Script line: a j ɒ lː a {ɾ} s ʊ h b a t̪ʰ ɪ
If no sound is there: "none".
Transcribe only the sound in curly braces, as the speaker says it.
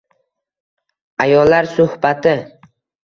ɾ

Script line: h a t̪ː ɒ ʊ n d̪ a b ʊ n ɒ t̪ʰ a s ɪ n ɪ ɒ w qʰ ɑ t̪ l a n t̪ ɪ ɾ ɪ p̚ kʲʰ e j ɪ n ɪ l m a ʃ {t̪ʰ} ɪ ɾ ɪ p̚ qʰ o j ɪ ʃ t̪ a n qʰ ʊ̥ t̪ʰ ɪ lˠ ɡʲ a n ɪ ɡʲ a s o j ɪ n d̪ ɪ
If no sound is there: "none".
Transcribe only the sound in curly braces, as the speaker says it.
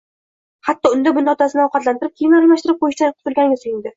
t̪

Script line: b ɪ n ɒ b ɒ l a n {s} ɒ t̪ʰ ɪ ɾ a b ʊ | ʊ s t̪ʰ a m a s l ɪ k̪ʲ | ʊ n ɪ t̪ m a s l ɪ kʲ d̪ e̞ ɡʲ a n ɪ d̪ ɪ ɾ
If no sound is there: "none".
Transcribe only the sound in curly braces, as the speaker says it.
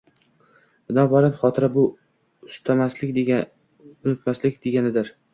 χ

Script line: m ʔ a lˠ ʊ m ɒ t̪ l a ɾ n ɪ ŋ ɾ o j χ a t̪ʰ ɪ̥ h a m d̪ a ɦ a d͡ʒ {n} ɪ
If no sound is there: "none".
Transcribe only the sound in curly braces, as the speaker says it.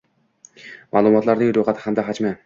m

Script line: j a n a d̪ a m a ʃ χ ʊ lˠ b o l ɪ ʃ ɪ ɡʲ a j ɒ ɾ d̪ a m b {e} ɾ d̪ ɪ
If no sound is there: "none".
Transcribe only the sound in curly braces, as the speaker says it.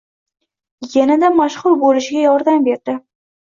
e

